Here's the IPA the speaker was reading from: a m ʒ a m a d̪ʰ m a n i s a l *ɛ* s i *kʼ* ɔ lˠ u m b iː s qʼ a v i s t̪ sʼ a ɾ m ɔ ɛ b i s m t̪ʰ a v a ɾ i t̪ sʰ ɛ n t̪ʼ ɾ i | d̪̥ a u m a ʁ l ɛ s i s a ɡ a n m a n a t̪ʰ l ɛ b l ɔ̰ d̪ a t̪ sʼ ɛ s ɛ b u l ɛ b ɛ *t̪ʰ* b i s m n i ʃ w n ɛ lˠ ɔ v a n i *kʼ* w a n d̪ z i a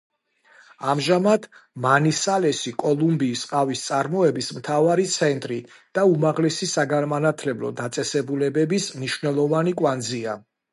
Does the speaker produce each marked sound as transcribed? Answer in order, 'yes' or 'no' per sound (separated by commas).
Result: yes, yes, no, yes